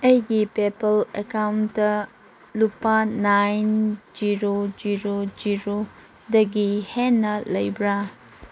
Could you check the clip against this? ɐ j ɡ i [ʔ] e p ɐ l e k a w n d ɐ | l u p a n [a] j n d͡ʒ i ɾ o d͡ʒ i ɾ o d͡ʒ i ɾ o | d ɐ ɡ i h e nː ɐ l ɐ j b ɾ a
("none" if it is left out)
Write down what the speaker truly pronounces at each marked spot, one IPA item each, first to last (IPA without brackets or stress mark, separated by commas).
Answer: p, a